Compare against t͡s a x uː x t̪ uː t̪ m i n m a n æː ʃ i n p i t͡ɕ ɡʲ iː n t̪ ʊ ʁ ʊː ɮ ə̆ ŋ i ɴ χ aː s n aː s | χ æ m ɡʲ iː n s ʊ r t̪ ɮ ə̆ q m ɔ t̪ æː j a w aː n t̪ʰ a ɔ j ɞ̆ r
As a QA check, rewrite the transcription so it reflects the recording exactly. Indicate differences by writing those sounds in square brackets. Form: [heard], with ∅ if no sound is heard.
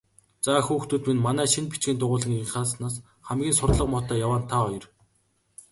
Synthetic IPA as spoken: t͡s a x uː x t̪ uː t̪ m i n m a n æː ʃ i n p i t͡ɕ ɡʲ iː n t̪ ʊ ʁ ʊː ɮ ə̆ ŋ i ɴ χ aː s n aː s | χ æ m ɡʲ iː n s ʊ r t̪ ɮ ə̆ q m ɔ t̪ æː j a w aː n t̪ʰ a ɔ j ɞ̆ r